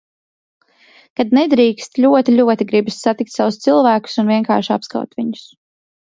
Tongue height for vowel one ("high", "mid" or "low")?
low